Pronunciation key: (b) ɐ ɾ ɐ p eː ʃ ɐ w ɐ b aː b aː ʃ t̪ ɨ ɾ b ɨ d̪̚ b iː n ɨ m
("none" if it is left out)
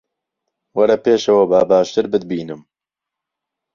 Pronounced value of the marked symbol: w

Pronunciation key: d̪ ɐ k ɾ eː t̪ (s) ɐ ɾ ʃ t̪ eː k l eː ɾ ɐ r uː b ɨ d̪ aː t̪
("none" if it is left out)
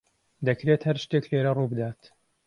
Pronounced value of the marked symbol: h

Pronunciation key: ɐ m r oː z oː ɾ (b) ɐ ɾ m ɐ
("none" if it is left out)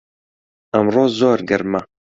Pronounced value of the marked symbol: ɡ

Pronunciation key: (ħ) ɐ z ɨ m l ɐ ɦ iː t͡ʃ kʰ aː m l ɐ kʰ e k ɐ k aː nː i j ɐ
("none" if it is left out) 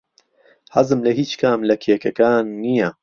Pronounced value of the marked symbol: h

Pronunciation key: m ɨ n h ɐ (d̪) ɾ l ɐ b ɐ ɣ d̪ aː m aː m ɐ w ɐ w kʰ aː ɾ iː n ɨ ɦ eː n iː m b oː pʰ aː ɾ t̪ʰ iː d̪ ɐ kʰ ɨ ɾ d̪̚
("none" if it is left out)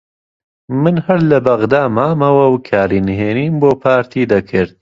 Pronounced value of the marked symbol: none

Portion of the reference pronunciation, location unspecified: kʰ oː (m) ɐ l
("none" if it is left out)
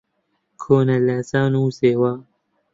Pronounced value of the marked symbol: n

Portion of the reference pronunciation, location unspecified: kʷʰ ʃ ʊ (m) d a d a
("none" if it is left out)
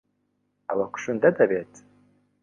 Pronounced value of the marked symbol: n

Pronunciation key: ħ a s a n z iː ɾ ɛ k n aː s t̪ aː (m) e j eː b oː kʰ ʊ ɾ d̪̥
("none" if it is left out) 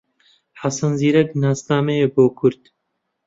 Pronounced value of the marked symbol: m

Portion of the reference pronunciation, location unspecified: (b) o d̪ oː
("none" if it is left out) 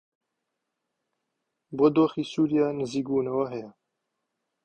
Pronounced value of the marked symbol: b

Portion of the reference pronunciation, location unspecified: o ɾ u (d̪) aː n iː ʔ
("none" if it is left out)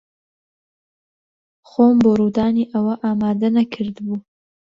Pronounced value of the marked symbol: d̪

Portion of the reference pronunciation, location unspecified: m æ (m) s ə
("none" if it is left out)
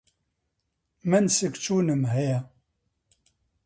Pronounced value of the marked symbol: n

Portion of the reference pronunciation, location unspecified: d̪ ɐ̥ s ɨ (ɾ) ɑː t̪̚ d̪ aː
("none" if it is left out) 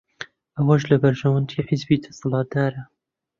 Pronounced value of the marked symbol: l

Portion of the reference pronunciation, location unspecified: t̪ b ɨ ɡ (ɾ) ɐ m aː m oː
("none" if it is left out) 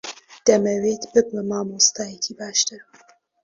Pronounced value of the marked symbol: l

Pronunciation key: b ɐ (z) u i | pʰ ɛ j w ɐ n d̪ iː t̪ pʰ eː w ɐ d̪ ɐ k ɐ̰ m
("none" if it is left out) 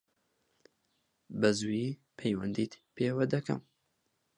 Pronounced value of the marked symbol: z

